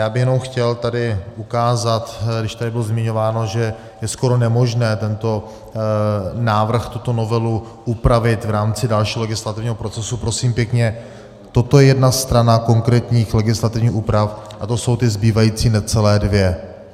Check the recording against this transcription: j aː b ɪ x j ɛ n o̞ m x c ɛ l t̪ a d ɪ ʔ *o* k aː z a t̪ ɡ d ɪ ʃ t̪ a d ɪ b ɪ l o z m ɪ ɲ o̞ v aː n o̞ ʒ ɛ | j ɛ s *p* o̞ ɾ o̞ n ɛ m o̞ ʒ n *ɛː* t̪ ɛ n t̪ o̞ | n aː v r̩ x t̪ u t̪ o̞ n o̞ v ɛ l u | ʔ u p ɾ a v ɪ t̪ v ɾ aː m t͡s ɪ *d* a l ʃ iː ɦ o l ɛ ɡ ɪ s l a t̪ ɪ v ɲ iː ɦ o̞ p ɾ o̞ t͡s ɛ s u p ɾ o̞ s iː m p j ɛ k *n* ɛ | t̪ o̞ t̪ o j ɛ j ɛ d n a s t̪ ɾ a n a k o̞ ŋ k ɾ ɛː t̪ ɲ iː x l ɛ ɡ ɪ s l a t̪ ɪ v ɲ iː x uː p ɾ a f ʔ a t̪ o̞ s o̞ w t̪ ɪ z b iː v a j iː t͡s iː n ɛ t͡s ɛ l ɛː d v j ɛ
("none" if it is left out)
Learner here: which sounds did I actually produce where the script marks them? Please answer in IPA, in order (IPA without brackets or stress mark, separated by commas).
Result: u, k, ɛː, d, ɲ